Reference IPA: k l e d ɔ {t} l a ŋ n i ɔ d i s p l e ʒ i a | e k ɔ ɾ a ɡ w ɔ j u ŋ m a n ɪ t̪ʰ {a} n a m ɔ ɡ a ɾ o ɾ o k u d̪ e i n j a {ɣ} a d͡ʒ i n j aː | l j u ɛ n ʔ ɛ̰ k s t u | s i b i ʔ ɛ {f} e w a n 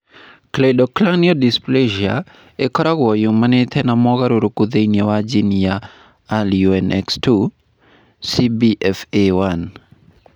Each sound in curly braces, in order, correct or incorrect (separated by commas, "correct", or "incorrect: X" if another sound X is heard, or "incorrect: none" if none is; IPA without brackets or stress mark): incorrect: k, incorrect: ɛ, incorrect: w, correct